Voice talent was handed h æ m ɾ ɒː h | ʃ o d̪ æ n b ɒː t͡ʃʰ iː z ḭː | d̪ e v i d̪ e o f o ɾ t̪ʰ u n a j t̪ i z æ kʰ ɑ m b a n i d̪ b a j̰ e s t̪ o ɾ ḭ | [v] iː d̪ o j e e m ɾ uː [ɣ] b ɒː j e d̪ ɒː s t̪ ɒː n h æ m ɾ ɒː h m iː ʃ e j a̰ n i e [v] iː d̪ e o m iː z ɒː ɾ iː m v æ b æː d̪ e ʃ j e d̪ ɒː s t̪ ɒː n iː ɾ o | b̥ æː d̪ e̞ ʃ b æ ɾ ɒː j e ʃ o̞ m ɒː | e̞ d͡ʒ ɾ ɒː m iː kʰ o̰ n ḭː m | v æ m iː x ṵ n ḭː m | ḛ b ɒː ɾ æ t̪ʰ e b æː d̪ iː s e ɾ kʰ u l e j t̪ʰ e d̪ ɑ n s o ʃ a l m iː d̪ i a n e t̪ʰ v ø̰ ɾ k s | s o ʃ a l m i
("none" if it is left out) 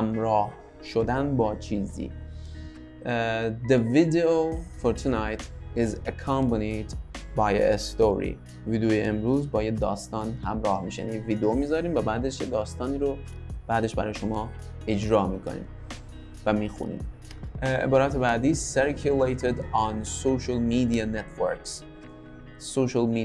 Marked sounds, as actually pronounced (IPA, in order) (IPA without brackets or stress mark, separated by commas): v, z, v